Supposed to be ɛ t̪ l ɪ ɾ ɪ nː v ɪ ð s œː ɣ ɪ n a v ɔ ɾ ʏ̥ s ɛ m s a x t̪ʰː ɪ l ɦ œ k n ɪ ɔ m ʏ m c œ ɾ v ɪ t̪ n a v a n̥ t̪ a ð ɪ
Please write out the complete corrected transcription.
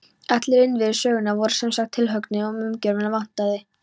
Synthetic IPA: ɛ t̪ l ɪ ɾ ɪ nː v ɪ ð s œː ɣ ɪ n a v ɔ ɾ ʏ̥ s ɛ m s a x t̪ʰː ɪ l ɦ œ k n ɪ ɔ m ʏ m c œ ɾ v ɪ n a v a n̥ t̪ a ð ɪ